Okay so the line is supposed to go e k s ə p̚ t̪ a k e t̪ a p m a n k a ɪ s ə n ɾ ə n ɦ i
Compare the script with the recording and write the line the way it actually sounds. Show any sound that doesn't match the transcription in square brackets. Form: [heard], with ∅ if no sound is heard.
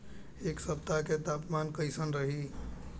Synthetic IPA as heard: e k s ə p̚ t̪ a k e t̪ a p m a n k [ə] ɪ s ə n ɾ ə [∅] ɦ i